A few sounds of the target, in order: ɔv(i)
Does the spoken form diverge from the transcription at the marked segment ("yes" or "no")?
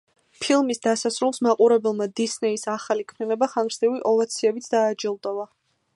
yes